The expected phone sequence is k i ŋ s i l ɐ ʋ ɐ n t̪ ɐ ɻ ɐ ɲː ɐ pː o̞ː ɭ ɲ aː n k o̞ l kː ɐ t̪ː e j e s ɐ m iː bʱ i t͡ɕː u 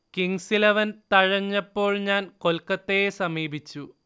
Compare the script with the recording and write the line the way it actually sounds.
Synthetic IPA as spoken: k i ŋ s i l ɐ ʋ ɐ n t̪ ɐ ɻ ɐ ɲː ɐ pː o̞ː ɭ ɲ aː n k o̞ l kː ɐ t̪ː e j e s ɐ m iː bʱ i t͡ɕː u